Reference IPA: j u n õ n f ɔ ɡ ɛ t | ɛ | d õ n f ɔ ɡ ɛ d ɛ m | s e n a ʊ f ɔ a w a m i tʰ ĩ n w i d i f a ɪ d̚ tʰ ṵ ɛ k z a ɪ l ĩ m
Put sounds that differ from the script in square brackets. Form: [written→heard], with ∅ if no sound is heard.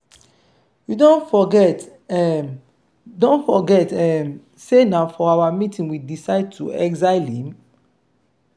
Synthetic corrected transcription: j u [n→d] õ n f ɔ ɡ ɛ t | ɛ | d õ n f ɔ ɡ ɛ [d→t] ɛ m | s e n a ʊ f ɔ a w a m i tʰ ĩ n w i d i [f→s] a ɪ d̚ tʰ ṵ ɛ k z a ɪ l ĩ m